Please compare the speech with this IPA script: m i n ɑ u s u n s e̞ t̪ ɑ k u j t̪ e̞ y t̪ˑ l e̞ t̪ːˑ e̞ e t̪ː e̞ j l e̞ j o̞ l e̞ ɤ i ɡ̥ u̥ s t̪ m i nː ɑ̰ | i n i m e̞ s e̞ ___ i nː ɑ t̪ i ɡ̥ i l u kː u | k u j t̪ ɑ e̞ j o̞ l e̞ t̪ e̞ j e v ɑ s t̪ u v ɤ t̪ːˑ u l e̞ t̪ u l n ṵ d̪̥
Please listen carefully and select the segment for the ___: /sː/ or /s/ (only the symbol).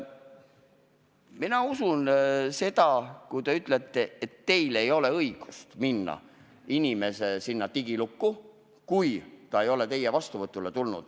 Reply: s